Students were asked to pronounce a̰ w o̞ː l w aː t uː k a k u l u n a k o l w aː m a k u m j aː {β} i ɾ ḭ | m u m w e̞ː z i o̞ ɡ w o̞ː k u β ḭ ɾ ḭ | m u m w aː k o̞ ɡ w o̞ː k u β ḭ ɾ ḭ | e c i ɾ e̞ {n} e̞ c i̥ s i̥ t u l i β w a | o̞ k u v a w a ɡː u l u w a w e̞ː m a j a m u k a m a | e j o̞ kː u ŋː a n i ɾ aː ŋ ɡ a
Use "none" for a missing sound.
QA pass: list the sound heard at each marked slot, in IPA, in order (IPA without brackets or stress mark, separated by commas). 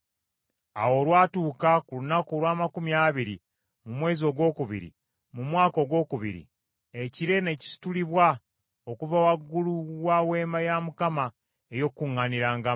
β, n